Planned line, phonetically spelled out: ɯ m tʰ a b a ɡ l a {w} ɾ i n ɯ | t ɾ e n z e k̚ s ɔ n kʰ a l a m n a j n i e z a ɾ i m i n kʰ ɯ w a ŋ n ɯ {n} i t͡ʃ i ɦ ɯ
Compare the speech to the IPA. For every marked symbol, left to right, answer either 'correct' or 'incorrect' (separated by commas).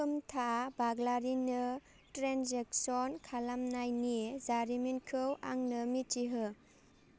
incorrect, incorrect